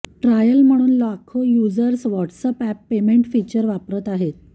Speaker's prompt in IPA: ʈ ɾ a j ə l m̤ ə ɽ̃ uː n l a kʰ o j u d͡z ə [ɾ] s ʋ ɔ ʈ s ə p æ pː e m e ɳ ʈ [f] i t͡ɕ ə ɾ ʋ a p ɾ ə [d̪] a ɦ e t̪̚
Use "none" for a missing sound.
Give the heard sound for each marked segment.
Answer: ɾ, f, t̪

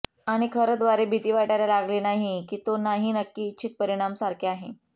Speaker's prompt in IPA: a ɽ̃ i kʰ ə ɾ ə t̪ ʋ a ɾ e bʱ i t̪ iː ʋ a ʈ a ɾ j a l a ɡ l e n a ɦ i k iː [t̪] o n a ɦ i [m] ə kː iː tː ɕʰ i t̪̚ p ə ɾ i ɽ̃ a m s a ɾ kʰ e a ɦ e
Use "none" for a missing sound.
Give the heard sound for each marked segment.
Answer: t̪, n

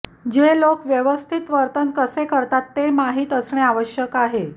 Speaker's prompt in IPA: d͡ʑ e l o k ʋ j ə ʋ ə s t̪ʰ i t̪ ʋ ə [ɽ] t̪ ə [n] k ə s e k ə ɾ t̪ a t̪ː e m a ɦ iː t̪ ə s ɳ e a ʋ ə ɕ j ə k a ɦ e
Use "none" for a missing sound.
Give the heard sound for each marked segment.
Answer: ɾ, n

